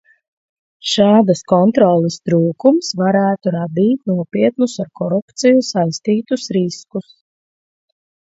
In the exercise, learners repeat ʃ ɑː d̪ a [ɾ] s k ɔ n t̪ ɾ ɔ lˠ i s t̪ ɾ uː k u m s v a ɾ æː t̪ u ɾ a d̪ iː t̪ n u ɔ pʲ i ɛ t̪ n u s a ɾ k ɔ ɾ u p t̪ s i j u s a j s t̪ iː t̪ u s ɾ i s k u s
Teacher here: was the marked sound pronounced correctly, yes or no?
no